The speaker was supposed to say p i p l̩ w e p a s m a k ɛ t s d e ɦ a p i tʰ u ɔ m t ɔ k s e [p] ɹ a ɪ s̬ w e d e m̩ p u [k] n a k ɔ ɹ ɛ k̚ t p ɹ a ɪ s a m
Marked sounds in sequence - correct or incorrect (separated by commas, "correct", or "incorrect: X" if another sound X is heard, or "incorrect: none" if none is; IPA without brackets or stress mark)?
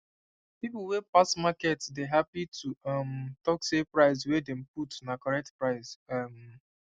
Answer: correct, incorrect: t